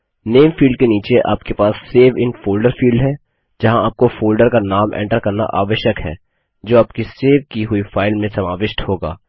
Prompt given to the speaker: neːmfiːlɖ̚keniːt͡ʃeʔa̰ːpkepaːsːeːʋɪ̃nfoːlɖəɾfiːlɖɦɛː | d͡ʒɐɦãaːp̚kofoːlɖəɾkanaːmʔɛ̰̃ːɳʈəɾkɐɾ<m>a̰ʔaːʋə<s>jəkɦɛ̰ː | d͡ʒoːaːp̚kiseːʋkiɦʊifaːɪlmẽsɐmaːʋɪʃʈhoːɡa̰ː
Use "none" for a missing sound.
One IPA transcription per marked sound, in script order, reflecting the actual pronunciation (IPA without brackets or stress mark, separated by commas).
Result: n, ʃ